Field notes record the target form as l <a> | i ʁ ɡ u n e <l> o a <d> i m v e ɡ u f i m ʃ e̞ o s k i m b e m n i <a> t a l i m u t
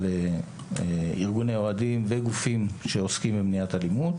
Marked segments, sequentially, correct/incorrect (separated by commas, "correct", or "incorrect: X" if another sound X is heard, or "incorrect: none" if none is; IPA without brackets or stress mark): incorrect: e, incorrect: none, correct, correct